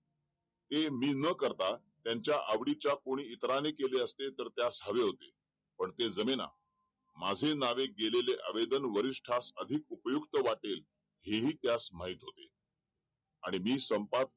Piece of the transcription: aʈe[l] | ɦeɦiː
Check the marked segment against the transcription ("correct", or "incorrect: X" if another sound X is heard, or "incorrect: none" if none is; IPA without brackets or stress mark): correct